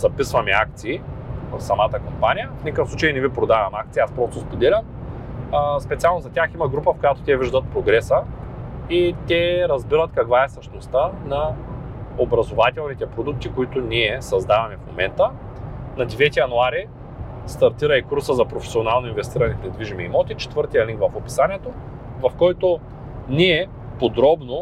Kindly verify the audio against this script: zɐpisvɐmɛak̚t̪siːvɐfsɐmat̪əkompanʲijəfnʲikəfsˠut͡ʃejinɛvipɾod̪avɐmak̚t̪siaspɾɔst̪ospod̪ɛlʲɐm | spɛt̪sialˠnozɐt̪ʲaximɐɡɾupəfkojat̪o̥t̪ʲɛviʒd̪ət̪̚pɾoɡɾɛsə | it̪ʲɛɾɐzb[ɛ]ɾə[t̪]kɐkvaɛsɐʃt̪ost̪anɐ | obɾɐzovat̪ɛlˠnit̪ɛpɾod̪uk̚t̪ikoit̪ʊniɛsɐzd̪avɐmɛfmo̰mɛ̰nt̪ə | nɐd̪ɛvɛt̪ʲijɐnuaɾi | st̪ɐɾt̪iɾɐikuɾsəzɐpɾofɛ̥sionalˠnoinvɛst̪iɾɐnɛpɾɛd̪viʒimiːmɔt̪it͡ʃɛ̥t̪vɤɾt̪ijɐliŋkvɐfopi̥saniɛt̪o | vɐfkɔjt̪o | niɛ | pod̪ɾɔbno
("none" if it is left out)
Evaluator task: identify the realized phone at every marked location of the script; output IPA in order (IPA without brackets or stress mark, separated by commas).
i, t̪